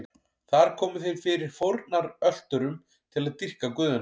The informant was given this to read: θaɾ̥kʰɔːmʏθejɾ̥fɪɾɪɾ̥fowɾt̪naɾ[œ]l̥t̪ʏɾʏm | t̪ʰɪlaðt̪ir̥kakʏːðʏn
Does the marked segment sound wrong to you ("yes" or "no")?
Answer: no